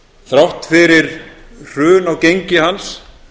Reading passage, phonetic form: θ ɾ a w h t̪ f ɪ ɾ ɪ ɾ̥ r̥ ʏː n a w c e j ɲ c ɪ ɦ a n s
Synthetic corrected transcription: θ ɾ a w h t̪ f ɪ ɾ ɪ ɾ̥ r̥ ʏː n a w c e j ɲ c ɪ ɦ a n s